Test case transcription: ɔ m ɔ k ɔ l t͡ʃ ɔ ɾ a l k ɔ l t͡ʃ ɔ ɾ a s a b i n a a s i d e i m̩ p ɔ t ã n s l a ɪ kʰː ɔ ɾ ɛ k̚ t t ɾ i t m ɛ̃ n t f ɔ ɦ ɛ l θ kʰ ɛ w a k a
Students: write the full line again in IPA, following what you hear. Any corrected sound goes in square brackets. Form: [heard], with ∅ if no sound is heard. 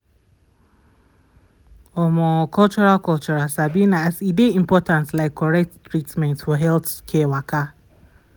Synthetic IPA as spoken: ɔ m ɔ k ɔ l t͡ʃ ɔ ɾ a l k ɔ l t͡ʃ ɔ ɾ a s a b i n a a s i d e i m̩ p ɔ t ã n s l a ɪ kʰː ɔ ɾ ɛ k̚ t t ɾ i t m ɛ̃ n t f ɔ ɦ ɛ l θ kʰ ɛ w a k a